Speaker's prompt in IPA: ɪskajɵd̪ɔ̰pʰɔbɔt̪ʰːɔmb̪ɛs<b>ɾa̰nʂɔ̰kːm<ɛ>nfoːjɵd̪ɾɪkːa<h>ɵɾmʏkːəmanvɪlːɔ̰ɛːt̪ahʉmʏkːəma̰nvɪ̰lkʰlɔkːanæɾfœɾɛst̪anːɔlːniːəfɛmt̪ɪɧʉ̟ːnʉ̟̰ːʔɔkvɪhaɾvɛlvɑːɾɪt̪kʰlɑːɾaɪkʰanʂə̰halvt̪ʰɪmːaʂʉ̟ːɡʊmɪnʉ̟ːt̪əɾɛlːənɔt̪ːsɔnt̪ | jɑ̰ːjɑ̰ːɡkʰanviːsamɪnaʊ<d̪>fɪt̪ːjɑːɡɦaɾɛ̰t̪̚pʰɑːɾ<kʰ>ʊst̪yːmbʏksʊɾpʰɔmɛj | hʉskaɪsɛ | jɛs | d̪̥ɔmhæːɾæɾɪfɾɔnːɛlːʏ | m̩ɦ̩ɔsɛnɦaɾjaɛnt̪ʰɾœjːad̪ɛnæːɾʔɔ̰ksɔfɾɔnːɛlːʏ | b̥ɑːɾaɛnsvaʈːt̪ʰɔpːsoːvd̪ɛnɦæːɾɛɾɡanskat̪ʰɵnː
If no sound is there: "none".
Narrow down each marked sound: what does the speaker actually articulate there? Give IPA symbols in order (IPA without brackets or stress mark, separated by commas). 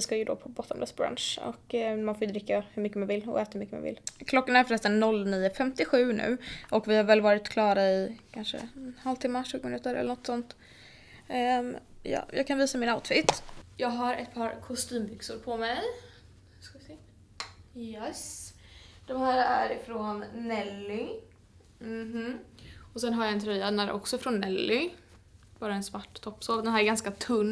b, a, h, t̪, kʰ